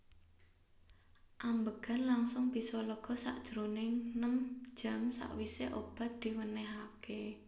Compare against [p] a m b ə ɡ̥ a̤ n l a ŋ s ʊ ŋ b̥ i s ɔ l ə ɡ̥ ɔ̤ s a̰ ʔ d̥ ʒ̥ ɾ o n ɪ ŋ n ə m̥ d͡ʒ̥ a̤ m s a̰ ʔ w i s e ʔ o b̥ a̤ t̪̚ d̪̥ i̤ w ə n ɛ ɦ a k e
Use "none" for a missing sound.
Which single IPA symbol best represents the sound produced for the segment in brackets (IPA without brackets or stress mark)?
ʔ